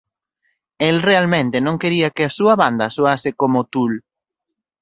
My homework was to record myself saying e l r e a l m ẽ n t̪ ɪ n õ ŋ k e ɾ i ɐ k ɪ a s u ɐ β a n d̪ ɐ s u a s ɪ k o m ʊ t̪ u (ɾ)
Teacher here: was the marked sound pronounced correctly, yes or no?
no